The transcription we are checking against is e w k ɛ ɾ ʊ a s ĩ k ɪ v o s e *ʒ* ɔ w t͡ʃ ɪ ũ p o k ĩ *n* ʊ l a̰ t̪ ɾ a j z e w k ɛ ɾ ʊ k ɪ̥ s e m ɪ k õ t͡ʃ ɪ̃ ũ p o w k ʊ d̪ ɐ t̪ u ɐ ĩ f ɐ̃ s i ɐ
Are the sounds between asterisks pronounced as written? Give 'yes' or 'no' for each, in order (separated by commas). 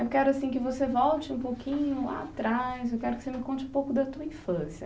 no, no